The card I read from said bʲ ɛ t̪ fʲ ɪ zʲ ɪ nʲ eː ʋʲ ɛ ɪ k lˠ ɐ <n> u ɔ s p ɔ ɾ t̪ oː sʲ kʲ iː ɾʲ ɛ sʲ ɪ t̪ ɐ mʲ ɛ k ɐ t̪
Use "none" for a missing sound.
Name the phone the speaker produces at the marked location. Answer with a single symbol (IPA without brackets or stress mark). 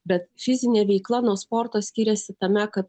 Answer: n